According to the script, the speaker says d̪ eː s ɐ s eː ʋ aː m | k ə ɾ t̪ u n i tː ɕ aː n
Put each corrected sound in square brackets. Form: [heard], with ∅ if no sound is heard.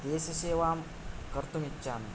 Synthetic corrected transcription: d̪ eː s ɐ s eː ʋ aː m | k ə ɾ t̪ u [m] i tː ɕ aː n